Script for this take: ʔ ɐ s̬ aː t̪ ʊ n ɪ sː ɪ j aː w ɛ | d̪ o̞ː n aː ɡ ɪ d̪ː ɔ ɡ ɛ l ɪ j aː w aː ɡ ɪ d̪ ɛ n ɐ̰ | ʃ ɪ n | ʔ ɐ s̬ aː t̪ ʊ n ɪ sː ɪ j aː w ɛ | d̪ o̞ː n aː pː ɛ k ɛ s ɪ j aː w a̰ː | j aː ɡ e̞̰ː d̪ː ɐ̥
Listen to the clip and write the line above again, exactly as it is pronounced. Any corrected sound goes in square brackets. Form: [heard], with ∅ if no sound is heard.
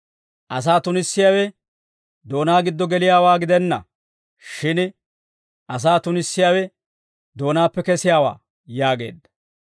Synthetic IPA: ʔ ɐ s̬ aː t̪ ʊ n ɪ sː ɪ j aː w ɛ | d̪ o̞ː n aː ɡ ɪ d̪ː ɔ ɡ ɛ l ɪ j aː w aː ɡ ɪ d̪ ɛ [nː] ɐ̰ | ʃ ɪ n | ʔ ɐ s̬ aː t̪ ʊ n ɪ sː ɪ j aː w ɛ | d̪ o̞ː n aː pː ɛ k ɛ s ɪ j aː w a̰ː | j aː ɡ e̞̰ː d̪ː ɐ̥